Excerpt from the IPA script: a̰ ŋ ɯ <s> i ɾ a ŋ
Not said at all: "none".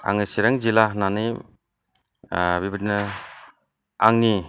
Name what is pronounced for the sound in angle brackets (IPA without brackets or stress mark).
s